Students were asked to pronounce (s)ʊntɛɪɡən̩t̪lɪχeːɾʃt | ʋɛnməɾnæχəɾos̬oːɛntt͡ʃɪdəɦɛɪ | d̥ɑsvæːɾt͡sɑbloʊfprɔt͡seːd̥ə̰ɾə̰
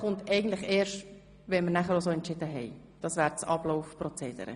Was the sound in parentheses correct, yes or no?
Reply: no